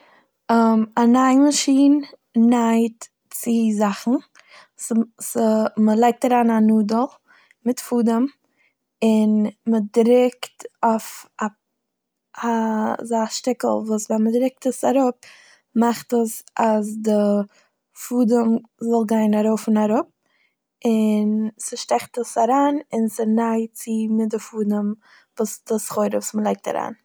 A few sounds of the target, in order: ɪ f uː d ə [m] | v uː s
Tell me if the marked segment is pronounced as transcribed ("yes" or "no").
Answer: yes